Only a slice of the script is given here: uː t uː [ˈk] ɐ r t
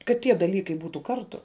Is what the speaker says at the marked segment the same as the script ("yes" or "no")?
yes